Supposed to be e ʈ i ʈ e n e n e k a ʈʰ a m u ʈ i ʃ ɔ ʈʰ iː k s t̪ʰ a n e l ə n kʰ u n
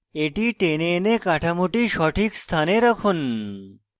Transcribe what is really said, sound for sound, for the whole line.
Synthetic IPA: e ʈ i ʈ e n e n e k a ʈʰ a m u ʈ i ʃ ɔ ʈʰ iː k s t̪ʰ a n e ɾ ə kʰ u n